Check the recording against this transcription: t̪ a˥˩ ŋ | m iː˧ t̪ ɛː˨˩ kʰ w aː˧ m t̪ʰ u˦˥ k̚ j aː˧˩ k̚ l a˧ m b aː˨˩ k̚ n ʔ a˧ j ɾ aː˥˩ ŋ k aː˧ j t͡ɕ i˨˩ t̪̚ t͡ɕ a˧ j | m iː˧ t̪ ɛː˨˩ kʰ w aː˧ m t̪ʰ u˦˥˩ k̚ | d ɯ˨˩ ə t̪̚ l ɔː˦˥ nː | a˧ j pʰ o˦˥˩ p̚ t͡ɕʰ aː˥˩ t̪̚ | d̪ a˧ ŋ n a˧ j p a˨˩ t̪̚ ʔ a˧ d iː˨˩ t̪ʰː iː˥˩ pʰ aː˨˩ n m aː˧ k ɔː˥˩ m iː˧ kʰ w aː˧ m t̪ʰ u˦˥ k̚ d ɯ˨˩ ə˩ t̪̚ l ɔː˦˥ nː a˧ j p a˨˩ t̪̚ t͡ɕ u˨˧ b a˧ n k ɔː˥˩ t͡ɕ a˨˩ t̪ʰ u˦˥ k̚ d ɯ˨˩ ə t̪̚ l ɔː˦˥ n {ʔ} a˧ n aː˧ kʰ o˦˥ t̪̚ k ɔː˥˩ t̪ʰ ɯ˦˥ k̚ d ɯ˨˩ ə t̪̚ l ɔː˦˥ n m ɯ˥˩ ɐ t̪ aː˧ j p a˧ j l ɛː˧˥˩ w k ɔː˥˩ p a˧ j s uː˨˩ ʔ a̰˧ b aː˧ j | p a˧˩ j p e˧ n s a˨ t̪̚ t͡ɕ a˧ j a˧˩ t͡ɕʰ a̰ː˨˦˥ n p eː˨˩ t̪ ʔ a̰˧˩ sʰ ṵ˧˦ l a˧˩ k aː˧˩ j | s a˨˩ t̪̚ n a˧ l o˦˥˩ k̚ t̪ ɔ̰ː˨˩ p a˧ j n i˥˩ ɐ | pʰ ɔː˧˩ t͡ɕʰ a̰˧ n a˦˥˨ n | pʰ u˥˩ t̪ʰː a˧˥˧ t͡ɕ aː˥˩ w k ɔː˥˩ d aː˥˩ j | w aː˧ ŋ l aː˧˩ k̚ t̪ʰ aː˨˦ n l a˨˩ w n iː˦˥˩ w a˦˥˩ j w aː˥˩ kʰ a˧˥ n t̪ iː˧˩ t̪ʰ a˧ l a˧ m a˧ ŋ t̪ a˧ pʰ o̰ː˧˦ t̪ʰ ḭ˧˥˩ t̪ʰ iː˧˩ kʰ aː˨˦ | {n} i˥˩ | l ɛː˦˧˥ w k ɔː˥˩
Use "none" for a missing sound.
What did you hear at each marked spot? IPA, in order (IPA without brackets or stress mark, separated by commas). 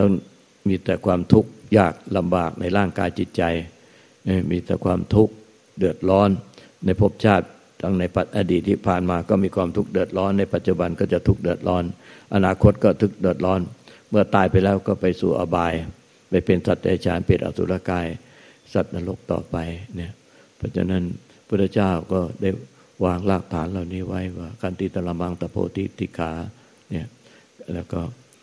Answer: ʔ, n